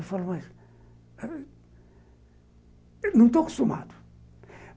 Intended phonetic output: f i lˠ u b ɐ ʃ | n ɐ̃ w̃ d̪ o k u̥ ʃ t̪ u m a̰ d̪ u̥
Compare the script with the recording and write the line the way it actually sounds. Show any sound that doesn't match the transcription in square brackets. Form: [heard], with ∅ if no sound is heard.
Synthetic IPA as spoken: f [a] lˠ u [m] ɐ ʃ | n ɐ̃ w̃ [t̪] o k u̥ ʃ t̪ u m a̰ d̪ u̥

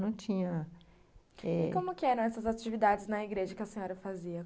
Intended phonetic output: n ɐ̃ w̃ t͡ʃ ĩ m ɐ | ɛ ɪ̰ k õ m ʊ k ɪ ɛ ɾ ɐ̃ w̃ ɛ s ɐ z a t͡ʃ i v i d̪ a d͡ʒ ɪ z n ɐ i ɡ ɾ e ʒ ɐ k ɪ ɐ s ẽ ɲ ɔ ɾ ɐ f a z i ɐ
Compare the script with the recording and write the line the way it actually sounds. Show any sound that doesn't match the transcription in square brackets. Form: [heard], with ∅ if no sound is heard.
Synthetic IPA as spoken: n ɐ̃ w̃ t͡ʃ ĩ [ɲ] ɐ | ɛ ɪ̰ k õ m ʊ k ɪ ɛ ɾ ɐ̃ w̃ ɛ s ɐ z a t͡ʃ i v i d̪ a d͡ʒ ɪ z n ɐ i ɡ ɾ e ʒ ɐ k ɪ ɐ s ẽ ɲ ɔ ɾ ɐ f a z i ɐ

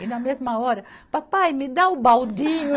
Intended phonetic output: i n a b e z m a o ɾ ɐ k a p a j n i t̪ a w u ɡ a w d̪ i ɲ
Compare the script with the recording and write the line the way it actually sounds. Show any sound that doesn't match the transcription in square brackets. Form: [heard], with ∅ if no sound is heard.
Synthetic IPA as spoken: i n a [m] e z m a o ɾ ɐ [p] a p a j [m] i [d̪] a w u [b] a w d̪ i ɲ

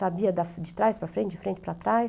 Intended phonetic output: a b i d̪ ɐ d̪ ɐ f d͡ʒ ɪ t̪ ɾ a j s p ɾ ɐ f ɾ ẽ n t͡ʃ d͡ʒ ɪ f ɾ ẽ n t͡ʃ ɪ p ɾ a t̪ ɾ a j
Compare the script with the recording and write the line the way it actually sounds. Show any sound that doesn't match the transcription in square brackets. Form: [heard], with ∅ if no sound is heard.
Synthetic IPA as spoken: a b i [∅] ɐ d̪ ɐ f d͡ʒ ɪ t̪ ɾ a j s p ɾ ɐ f ɾ ẽ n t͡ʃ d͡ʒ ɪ f ɾ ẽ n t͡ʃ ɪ p ɾ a t̪ ɾ a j

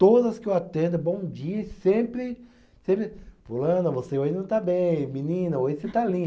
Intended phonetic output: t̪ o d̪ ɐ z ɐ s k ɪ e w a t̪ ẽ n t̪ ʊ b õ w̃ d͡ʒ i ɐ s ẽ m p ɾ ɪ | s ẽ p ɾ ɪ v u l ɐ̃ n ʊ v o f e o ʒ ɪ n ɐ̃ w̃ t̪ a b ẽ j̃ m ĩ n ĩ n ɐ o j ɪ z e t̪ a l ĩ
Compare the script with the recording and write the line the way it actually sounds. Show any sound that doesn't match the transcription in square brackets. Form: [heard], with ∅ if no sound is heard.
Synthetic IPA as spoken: t̪ o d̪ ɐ z ɐ s k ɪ e w a t̪ ẽ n [d̪] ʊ b õ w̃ d͡ʒ i ɐ s ẽ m p ɾ ɪ | s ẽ p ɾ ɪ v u l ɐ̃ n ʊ v o [s] e o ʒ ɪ n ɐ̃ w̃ t̪ a b ẽ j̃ m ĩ n ĩ n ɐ o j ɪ [s] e t̪ a l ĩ

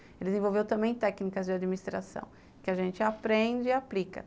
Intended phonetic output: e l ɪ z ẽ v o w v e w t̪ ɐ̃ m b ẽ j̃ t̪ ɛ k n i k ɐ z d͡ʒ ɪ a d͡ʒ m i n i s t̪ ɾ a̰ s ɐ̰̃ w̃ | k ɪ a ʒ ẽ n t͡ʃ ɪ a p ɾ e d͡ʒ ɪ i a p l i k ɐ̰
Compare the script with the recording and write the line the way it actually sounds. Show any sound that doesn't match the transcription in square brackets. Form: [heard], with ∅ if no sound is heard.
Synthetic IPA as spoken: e l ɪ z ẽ v o w v e w t̪ ɐ̃ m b ẽ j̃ t̪ ɛ k n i k ɐ z d͡ʒ ɪ a d͡ʒ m i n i s t̪ ɾ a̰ s ɐ̰̃ w̃ | k ɪ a ʒ ẽ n t͡ʃ ɪ a p ɾ [ẽ] d͡ʒ ɪ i a p l i k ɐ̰

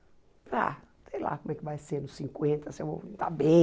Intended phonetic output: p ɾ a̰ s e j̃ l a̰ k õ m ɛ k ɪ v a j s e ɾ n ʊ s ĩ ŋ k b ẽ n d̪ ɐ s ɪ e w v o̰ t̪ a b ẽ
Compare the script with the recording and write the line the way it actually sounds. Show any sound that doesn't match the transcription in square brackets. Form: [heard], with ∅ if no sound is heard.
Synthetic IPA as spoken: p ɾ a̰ s e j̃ l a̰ k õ m ɛ k ɪ v a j s e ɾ n ʊ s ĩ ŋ k [w] ẽ n [t̪] ɐ s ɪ e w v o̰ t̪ a b ẽ

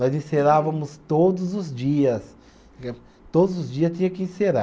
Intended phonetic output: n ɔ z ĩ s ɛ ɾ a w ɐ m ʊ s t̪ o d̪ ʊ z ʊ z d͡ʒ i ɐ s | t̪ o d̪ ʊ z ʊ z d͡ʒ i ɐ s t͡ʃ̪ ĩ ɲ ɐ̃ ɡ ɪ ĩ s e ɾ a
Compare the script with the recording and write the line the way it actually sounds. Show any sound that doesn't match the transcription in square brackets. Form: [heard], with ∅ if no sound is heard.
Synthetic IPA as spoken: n ɔ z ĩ s [e] ɾ a [v] ɐ m ʊ s t̪ o d̪ ʊ z ʊ z d͡ʒ i ɐ s | t̪ o d̪ ʊ z ʊ z d͡ʒ i ɐ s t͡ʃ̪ ĩ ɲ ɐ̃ [k] ɪ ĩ s e ɾ a

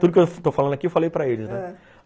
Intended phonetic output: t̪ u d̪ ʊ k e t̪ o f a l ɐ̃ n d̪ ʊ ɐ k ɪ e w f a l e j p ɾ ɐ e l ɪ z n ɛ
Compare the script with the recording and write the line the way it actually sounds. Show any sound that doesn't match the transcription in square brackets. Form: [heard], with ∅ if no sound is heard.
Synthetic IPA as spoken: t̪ u d̪ ʊ k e t̪ o f a l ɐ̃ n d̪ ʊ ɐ k [i] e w f a l e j p ɾ ɐ e l ɪ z n ɛ

